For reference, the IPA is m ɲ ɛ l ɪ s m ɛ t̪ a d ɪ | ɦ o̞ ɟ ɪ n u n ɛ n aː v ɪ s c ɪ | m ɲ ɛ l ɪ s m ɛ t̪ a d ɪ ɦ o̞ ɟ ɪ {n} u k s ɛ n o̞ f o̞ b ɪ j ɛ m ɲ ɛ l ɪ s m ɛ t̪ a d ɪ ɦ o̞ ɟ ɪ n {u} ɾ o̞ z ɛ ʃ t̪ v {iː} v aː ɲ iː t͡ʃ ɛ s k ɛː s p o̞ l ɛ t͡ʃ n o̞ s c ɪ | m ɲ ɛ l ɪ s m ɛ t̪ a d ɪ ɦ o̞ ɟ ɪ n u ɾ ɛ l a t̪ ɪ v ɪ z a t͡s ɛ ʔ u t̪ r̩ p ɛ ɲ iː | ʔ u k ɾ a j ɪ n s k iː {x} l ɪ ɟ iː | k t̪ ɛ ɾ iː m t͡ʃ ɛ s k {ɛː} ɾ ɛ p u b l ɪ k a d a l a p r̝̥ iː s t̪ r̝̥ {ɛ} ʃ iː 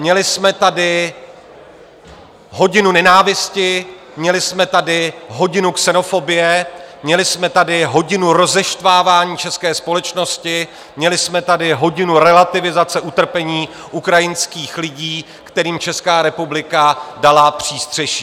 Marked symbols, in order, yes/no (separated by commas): yes, yes, no, yes, no, yes